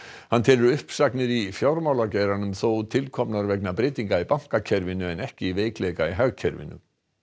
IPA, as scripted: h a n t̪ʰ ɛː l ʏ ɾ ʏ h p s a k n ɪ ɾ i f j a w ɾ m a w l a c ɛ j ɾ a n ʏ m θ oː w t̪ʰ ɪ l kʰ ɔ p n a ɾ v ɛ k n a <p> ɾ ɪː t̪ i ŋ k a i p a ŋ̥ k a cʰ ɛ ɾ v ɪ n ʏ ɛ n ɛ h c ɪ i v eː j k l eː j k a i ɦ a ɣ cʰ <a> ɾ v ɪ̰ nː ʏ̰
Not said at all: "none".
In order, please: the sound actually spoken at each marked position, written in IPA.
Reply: p, ɛ

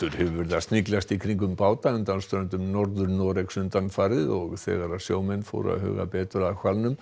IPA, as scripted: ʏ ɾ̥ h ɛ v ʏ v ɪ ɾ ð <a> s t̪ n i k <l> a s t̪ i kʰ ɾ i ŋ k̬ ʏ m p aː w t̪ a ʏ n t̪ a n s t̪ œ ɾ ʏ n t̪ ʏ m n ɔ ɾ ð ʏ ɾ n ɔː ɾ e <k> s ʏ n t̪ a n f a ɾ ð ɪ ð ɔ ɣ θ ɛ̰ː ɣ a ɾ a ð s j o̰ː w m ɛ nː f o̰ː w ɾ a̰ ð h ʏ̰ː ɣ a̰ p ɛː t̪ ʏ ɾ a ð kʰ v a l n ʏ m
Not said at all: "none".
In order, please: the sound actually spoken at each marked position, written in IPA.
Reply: a, l, k

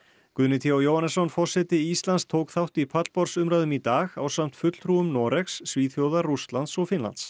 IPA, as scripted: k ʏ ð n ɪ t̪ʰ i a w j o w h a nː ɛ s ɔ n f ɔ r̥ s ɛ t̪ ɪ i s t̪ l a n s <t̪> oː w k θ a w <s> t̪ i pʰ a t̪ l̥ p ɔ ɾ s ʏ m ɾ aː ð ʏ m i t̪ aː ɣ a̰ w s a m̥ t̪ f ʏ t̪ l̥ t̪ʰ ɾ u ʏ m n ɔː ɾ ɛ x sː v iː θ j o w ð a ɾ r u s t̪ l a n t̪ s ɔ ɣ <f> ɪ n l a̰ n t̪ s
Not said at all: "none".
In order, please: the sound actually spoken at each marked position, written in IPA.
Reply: t̪ʰ, h, f

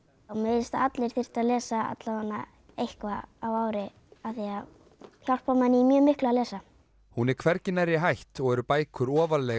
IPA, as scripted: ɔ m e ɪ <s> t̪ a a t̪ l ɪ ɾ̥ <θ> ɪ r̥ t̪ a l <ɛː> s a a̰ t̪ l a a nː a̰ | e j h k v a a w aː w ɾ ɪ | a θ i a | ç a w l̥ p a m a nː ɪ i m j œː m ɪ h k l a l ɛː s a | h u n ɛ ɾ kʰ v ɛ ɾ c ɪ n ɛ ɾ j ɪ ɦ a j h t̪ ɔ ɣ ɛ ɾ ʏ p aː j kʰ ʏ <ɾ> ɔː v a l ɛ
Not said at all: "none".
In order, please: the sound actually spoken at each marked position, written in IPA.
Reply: s, θ, ɛː, ɾ

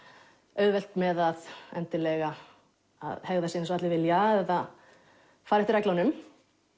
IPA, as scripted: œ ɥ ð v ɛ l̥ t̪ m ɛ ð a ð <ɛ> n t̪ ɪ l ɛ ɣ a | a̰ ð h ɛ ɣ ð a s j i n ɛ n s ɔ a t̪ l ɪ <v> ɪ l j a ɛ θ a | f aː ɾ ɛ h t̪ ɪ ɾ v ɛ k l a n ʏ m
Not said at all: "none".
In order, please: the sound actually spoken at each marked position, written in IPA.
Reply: ɛ, v

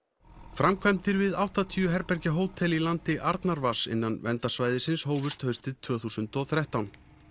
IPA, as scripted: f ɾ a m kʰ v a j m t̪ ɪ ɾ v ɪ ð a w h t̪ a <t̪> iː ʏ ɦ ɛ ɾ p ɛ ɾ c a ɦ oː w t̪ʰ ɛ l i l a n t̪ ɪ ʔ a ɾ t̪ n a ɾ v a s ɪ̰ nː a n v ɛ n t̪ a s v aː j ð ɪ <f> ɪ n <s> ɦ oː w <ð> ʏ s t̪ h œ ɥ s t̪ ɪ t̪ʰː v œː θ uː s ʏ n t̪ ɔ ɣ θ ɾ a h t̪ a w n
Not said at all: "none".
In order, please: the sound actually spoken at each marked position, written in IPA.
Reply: t̪ʰ, s, s, v

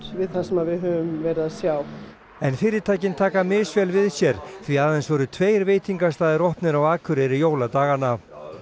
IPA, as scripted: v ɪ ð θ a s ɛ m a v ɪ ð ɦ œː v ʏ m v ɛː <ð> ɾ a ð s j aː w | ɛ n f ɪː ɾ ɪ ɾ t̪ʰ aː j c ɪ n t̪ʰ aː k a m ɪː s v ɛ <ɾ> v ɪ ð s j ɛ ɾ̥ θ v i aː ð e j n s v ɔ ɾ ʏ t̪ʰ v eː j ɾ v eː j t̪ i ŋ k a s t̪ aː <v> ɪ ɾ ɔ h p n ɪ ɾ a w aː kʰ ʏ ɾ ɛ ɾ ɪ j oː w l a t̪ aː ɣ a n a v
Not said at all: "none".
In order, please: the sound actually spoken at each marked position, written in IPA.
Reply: none, l, ð

